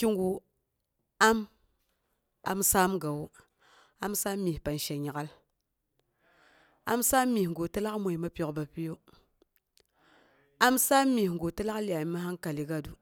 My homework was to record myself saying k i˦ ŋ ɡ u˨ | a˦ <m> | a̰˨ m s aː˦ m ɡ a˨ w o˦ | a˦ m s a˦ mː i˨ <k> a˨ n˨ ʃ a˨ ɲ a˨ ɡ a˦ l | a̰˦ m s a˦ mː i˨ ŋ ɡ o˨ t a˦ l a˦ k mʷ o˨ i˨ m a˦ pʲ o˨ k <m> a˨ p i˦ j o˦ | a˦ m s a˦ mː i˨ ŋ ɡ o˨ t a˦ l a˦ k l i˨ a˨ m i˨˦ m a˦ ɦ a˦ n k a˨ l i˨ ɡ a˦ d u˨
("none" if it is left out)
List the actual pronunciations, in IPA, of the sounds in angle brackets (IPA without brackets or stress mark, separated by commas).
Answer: m, p, b